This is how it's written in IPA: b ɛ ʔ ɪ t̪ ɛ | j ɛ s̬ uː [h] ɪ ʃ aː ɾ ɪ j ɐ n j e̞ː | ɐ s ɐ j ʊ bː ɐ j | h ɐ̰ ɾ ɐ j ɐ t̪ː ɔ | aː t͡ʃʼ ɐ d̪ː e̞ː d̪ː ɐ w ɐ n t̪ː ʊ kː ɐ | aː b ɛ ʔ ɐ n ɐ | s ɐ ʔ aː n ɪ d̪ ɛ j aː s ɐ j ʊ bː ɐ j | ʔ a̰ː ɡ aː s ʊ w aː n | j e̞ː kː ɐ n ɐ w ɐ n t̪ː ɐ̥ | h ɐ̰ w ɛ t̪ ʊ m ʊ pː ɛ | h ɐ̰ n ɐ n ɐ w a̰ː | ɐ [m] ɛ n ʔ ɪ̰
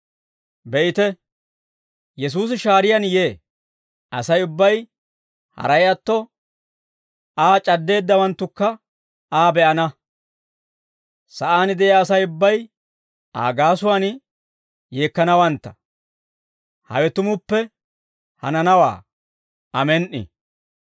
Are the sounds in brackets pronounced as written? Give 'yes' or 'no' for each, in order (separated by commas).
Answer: no, yes